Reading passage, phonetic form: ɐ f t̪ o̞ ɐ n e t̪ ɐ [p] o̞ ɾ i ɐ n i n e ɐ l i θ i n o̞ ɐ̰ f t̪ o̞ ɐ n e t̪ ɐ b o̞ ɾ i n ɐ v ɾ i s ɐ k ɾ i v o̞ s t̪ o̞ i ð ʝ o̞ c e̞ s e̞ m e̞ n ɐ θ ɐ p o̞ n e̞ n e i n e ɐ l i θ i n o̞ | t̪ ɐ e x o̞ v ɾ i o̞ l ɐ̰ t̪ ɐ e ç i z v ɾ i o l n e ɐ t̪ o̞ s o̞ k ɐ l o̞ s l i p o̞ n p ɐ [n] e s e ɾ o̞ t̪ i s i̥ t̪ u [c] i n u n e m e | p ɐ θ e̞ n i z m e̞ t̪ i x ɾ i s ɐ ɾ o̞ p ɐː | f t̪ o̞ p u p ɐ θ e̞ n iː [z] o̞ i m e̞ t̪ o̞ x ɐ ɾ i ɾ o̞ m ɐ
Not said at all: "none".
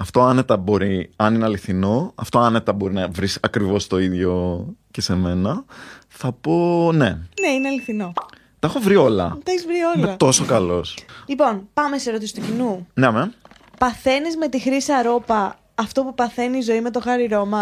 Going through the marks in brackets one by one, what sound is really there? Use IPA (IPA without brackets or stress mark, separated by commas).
b, m, c, z